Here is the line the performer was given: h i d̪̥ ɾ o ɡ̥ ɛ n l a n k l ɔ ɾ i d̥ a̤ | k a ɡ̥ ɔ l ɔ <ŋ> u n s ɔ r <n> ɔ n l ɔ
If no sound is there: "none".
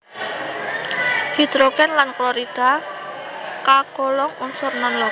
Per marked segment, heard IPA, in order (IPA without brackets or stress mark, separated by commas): ŋ, n